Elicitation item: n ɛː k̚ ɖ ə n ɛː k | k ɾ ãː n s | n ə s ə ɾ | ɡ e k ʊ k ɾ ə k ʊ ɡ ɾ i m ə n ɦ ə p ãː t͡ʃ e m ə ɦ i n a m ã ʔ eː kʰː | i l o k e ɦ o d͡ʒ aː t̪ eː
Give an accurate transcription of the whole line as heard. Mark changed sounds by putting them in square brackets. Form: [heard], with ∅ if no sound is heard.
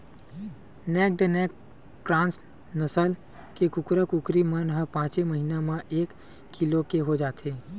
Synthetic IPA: n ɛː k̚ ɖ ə n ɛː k | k ɾ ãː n s | n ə s ə [l] | [k] e k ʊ k ɾ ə k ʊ [k] ɾ i m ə n ɦ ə p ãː t͡ʃ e m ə ɦ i n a m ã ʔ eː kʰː | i l o k e ɦ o d͡ʒ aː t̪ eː